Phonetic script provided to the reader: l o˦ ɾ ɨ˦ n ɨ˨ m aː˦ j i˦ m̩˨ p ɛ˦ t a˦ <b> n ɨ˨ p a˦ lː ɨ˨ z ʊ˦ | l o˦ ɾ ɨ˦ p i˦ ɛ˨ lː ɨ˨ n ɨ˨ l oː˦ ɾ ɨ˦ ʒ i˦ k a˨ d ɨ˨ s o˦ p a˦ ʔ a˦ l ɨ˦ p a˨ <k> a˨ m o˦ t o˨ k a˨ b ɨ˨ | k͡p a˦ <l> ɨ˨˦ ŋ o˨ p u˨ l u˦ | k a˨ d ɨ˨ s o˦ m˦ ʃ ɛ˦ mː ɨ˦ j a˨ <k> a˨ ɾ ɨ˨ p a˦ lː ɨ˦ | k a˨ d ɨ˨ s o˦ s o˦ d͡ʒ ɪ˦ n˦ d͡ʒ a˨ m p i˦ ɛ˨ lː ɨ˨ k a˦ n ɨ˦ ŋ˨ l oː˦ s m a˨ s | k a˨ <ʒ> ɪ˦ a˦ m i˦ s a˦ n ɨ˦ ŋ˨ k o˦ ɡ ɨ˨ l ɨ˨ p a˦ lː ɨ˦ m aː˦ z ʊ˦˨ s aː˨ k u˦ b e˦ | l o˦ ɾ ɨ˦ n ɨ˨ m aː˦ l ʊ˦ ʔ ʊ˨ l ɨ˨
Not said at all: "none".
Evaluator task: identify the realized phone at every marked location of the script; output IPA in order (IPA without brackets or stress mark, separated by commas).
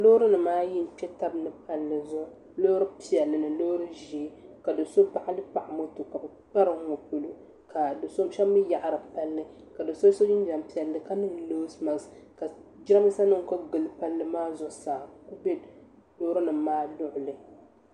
b, ʔ, ɾ, ʔ, d͡ʒ